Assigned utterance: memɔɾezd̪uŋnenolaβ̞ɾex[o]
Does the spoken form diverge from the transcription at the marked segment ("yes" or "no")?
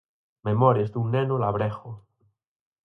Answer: no